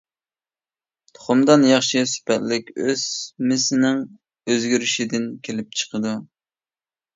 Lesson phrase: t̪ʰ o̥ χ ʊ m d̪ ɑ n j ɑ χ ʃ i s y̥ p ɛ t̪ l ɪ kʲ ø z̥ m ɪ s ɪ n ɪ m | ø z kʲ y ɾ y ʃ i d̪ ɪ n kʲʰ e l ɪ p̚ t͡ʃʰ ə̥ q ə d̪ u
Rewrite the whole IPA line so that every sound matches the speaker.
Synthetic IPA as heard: t̪ʰ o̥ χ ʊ m d̪ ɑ n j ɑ χ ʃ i s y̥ p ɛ t̪ l ɪ kʲ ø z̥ m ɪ s ɪ n ɪ ŋ | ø z ɡʲ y ɾ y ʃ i d̪ ɪ n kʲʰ e l ɪ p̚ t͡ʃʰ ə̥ q ə d̪ u